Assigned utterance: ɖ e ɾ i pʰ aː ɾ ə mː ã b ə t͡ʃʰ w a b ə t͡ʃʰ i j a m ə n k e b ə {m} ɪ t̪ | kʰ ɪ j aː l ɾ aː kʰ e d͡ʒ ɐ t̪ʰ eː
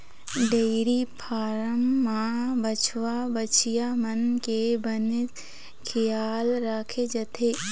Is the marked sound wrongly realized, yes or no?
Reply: yes